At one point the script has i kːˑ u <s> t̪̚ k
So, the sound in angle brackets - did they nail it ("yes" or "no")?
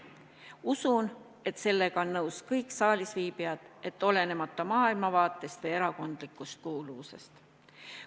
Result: yes